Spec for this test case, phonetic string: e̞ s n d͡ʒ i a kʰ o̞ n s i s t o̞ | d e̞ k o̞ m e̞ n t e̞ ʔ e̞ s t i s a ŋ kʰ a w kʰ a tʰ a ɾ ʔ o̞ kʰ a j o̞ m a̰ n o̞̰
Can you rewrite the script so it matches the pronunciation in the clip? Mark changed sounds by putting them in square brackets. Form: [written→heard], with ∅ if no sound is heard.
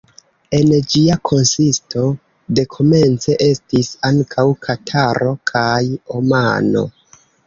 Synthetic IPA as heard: e̞ [s→∅] n d͡ʒ i a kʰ o̞ n s i s t o̞ | d e̞ [k→kʰ] o̞ m e̞ n [t→t͡s] e̞ ʔ e̞ s t i s a ŋ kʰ a w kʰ a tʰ a ɾ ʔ o̞ kʰ a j o̞ m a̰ n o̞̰